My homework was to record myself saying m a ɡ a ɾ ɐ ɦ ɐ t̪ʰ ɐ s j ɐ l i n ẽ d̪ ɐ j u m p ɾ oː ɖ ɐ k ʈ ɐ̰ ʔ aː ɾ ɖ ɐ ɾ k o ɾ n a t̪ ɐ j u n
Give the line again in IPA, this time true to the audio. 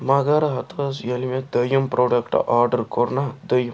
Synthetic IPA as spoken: m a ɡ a ɾ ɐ ɦ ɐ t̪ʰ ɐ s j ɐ l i m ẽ d̪ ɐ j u m p ɾ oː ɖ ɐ k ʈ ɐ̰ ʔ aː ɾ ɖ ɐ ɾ k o ɾ n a d̪ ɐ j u m